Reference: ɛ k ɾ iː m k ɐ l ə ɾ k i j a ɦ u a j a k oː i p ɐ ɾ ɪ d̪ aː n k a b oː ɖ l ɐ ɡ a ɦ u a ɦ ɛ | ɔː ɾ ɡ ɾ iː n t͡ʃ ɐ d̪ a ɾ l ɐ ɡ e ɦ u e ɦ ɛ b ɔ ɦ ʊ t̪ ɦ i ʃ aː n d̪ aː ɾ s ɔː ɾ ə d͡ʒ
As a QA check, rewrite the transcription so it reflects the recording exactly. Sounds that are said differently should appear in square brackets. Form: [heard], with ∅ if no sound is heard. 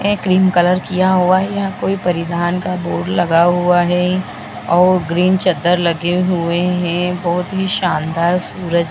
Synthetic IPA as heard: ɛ k ɾ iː m k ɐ l ə ɾ k i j a ɦ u a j a k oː i p ɐ ɾ ɪ d̪ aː n k a b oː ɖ l ɐ ɡ a ɦ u a ɦ ɛ | ɔː ɾ ɡ ɾ iː n t͡ʃ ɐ d̪ [ə] ɾ l ɐ ɡ e ɦ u e ɦ [ɛ̃] b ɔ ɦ ʊ t̪ ɦ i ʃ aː n d̪ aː ɾ s [uː] ɾ ə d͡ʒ